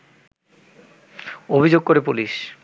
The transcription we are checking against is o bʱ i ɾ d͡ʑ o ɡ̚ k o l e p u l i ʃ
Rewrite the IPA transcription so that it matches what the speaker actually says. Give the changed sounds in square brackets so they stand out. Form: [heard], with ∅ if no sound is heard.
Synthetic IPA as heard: o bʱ i [∅] d͡ʑ o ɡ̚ k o [ɾ] e p u l i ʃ